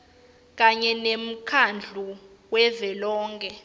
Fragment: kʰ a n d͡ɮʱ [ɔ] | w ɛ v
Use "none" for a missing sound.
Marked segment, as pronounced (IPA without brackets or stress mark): u